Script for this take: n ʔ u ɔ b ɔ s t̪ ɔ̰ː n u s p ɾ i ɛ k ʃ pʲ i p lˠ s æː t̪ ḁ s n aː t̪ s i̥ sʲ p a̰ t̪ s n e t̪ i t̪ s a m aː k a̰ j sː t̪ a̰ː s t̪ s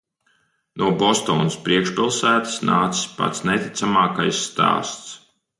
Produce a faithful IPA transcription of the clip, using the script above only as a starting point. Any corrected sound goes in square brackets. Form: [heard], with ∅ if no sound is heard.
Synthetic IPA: n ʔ u ɔ b ɔ s t̪ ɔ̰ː n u s p ɾ i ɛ k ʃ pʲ i [∅] lˠ s æː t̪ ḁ s n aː t̪ s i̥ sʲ p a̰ t̪ s n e t̪ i t̪ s a m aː k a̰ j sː t̪ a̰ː s t̪ s